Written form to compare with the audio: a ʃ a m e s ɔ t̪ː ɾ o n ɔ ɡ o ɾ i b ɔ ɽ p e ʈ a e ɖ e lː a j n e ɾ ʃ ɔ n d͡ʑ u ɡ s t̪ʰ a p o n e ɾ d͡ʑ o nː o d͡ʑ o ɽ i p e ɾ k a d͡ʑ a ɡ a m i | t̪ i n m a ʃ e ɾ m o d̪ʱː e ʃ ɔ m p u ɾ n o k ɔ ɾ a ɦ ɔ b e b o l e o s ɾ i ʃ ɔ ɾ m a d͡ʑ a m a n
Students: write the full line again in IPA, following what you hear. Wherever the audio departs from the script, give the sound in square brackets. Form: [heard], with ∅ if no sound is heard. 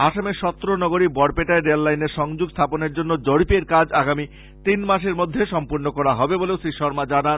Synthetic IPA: a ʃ a m e [ʃ] ɔ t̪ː ɾ o n ɔ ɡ o ɾ i b ɔ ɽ p e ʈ a e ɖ e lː a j n e ɾ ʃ ɔ [ŋ] d͡ʑ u ɡ s t̪ʰ a p o n e ɾ d͡ʑ o nː o d͡ʑ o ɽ i p e ɾ k a d͡ʑ a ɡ a m i | t̪ i n m a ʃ e ɾ m o d̪ʱː e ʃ ɔ m p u ɾ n o k ɔ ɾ a ɦ ɔ b e b o l e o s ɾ i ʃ ɔ ɾ m a d͡ʑ a [n] a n